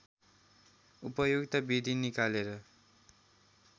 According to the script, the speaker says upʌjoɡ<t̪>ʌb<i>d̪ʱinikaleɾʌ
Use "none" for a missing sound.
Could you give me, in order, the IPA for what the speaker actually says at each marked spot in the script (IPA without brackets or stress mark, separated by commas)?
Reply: t̪, i